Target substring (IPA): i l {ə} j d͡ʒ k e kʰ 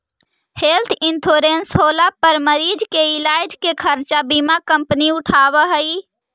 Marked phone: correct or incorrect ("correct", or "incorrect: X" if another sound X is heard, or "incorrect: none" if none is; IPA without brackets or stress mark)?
incorrect: a